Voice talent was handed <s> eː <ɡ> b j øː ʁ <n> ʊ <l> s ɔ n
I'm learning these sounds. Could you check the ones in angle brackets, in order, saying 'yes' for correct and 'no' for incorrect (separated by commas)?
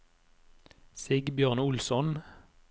yes, yes, yes, yes